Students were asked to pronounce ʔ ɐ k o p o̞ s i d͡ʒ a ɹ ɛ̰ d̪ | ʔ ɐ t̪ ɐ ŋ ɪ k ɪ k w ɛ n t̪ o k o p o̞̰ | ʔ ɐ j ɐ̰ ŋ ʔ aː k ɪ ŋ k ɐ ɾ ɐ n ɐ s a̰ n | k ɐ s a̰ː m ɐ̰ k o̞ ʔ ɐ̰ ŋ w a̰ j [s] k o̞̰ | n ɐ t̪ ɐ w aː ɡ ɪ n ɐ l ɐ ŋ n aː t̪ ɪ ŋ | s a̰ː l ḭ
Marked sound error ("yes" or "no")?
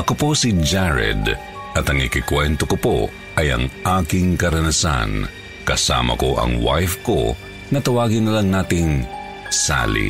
yes